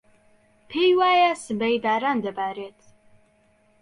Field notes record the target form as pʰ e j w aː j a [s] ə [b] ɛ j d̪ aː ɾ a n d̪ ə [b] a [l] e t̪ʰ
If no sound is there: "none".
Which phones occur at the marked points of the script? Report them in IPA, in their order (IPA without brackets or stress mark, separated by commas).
s, b, b, ɾ